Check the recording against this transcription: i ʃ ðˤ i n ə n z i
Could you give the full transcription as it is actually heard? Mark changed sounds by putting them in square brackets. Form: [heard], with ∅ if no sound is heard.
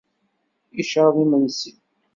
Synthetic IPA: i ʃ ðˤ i [m] ə n [s] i